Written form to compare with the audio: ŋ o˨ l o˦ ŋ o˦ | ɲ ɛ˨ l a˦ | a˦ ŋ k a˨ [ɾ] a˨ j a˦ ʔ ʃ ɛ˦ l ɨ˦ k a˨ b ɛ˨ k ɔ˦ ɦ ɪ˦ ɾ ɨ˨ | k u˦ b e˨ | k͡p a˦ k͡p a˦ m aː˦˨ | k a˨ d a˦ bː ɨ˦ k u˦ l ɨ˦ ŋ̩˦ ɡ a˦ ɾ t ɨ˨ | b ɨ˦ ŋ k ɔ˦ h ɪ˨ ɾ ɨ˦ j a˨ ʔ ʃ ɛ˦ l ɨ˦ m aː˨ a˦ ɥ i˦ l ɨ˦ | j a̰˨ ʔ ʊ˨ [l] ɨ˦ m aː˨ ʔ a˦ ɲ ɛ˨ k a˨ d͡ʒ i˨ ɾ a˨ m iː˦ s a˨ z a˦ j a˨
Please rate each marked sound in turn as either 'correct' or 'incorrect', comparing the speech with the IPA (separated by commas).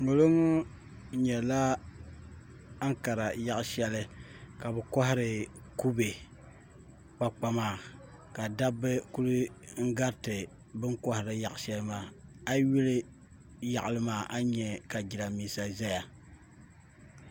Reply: correct, correct